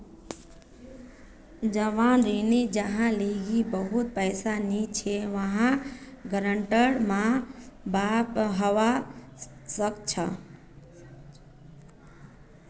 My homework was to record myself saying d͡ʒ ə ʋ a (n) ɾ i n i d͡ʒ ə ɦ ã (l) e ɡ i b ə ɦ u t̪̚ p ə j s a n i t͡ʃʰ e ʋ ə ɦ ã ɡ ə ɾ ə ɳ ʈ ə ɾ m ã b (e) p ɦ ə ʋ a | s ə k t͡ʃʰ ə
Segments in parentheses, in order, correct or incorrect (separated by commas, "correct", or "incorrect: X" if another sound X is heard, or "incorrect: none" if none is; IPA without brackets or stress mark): correct, correct, incorrect: a